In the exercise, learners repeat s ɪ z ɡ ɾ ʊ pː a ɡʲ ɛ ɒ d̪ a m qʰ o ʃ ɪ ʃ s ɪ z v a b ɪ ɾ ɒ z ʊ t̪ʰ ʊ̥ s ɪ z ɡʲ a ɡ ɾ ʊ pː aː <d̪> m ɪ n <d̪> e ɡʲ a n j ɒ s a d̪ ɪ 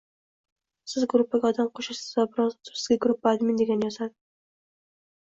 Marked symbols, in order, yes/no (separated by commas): yes, yes